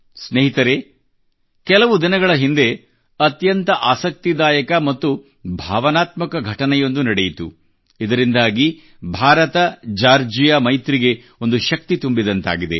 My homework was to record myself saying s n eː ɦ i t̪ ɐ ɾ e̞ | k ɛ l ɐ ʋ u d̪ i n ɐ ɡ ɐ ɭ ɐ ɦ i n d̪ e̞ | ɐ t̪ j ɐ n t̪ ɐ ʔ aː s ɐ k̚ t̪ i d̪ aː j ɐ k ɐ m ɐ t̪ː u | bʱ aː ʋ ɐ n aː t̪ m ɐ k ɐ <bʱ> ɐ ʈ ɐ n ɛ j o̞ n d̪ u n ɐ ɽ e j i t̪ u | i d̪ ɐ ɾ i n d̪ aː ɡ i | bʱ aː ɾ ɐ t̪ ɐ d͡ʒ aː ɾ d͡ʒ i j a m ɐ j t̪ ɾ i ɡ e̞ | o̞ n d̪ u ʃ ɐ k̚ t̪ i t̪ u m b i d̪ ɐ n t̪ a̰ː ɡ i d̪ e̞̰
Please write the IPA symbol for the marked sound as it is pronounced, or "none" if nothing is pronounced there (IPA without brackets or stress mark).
ɡʱ